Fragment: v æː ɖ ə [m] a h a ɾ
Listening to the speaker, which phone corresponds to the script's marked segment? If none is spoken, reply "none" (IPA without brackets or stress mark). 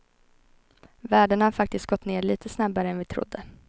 ɳ